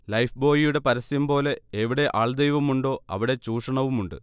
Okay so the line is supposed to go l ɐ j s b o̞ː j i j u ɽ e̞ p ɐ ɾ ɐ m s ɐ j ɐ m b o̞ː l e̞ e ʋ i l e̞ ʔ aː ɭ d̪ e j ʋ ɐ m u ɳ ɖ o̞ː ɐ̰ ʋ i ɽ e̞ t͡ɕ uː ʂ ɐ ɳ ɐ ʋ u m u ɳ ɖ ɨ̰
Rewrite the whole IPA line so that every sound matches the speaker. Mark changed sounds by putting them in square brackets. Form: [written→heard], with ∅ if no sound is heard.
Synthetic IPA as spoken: l ɐ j [s→f] b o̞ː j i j u ɽ e̞ p ɐ ɾ ɐ [m→∅] s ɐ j ɐ m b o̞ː l e̞ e ʋ i [l→ɽ] e̞ ʔ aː ɭ d̪ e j ʋ ɐ m u ɳ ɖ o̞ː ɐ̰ ʋ i ɽ e̞ t͡ɕ uː ʂ ɐ ɳ ɐ ʋ u m u ɳ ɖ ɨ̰